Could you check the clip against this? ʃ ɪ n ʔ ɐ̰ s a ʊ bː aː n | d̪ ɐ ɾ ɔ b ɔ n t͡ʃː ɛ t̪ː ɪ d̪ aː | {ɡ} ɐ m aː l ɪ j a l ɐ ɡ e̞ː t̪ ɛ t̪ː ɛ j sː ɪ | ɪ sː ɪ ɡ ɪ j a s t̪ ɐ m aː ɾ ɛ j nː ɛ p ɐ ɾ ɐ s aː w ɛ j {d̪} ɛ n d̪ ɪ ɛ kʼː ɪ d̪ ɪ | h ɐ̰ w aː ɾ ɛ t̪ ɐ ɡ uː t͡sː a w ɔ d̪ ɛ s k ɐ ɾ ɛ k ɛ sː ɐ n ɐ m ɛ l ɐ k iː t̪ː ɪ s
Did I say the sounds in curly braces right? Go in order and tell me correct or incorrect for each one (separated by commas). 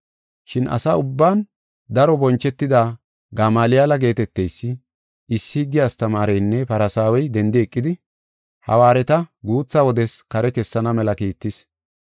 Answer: correct, correct